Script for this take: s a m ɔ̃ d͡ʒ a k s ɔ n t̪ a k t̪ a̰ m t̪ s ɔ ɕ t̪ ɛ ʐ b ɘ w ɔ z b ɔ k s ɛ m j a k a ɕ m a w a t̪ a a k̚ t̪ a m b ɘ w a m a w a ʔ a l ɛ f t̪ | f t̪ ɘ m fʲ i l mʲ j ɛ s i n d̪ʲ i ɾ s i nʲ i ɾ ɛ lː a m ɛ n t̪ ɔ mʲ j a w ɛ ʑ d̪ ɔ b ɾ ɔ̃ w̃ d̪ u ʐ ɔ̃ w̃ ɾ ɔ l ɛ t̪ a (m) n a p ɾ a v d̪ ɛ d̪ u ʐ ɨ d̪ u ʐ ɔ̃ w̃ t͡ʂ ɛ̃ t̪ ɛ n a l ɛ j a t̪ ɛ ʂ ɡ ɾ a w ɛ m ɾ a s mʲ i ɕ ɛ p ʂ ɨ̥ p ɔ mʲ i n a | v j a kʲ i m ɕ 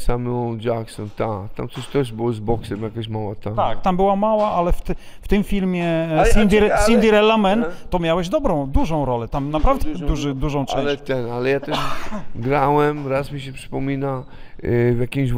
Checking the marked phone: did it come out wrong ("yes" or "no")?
no